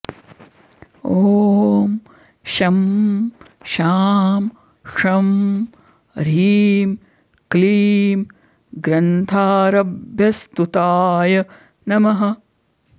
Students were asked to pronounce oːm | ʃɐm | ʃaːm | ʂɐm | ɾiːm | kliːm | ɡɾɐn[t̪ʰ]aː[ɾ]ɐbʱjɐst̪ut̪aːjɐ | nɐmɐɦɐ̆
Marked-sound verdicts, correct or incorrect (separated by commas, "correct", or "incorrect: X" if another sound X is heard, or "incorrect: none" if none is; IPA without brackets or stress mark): correct, correct